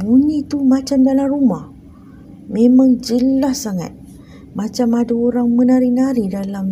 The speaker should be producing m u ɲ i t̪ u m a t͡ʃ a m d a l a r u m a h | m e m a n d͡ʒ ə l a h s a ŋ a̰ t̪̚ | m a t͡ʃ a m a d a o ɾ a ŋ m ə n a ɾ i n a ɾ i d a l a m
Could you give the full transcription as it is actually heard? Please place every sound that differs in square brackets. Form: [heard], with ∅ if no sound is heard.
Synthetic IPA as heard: [b] u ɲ i t̪ u m a t͡ʃ a m d a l a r u m a h | m e m a [ŋ] d͡ʒ ə l a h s a ŋ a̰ t̪̚ | m a t͡ʃ a m a d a o ɾ a ŋ m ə n a ɾ i n a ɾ i d a l a m